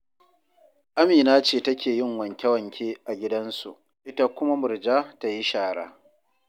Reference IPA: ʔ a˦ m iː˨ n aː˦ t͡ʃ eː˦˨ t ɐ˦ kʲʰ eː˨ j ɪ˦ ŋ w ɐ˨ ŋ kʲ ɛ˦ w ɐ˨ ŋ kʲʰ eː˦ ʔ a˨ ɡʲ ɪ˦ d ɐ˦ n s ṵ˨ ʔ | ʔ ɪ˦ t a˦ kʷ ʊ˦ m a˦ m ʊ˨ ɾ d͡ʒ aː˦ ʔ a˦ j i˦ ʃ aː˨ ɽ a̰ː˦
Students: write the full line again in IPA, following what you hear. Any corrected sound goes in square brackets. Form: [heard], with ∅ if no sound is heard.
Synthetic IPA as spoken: ʔ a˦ m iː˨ n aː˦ t͡ʃ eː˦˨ t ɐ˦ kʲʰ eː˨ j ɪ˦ ŋ w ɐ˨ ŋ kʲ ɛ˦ w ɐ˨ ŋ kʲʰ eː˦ ʔ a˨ ɡʲ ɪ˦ d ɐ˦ n s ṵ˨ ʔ | ʔ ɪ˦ t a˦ kʷ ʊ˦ m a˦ m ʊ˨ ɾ d͡ʒ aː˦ [t] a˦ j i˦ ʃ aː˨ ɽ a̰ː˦